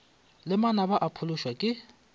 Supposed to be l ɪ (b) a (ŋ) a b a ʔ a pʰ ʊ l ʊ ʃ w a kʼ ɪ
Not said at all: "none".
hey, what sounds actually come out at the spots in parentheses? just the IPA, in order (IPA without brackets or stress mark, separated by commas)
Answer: m, n